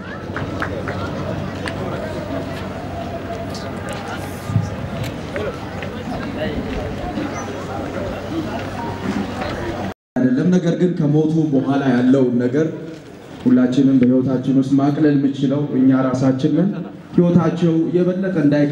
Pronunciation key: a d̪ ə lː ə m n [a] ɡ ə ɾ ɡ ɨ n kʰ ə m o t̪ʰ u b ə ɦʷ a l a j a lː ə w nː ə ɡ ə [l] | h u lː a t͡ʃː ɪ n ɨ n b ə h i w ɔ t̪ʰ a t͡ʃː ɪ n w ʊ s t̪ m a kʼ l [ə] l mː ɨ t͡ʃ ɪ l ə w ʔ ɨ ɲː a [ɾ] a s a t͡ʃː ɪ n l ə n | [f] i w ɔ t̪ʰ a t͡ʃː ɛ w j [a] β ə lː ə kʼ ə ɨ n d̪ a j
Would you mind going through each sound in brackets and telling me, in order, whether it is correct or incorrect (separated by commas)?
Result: incorrect, incorrect, correct, correct, incorrect, incorrect